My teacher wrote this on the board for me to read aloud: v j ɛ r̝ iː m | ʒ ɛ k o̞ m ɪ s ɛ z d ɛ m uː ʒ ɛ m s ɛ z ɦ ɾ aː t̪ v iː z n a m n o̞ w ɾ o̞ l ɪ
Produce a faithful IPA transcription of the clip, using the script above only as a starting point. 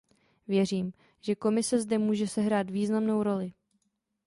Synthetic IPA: v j ɛ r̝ iː m | ʒ ɛ k o̞ m ɪ s ɛ z d ɛ m uː ʒ ɛ s ɛ ɦ ɾ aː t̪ v iː z n a m n o̞ w ɾ o̞ l ɪ